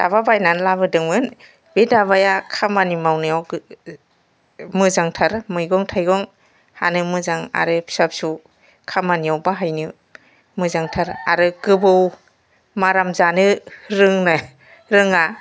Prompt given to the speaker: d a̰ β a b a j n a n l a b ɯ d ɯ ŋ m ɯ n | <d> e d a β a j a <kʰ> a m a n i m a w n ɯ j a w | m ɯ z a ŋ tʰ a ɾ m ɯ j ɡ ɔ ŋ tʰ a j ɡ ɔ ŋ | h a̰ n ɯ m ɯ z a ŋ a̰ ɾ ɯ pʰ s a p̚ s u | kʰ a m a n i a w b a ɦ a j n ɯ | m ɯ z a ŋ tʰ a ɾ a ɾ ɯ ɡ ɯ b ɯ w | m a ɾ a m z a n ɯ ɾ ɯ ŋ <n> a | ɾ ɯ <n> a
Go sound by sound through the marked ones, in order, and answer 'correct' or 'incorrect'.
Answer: incorrect: b, correct, correct, incorrect: ŋ

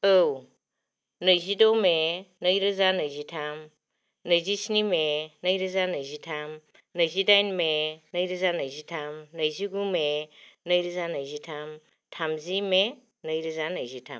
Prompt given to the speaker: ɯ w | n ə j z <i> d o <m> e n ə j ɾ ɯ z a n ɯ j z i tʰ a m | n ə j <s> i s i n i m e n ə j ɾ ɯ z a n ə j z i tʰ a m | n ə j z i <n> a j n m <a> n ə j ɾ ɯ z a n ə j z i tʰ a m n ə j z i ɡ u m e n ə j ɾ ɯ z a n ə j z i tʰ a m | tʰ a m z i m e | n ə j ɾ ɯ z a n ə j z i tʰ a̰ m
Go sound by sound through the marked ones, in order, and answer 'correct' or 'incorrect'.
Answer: correct, correct, incorrect: z, incorrect: d, incorrect: e

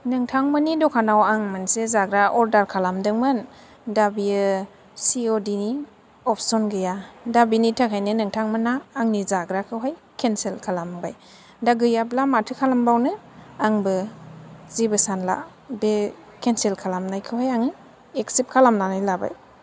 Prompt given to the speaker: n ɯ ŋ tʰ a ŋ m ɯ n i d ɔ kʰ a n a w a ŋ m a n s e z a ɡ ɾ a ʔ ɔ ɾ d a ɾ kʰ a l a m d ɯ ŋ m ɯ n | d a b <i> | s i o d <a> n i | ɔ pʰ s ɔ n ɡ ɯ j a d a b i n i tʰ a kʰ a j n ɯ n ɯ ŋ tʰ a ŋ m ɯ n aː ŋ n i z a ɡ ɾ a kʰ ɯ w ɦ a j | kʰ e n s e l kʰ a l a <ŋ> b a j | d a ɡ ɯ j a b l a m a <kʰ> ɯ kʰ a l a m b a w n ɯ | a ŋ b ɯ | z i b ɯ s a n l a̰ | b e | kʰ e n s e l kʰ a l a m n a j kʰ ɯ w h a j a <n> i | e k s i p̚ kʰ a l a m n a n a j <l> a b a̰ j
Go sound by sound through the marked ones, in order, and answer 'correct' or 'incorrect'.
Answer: correct, incorrect: i, incorrect: m, incorrect: tʰ, incorrect: ŋ, correct

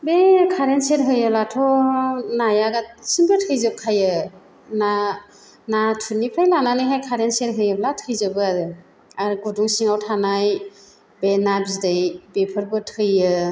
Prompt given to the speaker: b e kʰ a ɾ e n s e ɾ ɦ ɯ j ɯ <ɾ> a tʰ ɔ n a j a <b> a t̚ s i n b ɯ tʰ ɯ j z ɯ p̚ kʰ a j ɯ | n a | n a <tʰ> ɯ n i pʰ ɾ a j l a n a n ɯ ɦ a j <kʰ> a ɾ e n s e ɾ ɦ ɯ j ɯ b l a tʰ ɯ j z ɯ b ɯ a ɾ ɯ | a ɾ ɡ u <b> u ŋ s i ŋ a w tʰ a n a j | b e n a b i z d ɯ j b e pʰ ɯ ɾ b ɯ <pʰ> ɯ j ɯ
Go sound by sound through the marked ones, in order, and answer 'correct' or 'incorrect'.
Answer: incorrect: l, incorrect: ɡ, correct, correct, incorrect: d, incorrect: tʰ

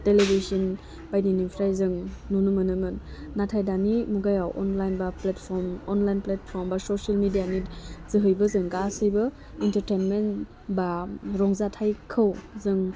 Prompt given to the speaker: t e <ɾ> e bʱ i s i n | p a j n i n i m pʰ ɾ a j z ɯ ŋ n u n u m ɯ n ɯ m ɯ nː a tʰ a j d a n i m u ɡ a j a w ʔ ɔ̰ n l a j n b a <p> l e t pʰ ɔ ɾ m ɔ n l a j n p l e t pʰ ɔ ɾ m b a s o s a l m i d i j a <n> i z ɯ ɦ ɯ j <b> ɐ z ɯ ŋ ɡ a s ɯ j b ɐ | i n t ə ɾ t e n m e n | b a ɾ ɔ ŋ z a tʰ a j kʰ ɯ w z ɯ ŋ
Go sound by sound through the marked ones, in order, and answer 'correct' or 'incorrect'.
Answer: incorrect: l, correct, correct, correct

